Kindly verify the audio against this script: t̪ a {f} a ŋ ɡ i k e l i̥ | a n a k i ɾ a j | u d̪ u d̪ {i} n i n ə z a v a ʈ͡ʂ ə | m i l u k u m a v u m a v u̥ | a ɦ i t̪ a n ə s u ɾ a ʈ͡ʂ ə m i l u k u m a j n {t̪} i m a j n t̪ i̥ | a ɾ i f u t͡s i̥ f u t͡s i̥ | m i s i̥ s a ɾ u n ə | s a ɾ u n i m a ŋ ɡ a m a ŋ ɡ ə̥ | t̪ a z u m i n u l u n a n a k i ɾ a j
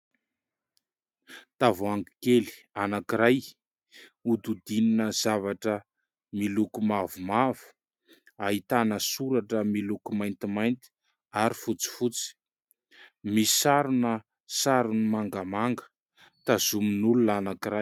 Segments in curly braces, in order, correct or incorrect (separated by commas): incorrect, correct, correct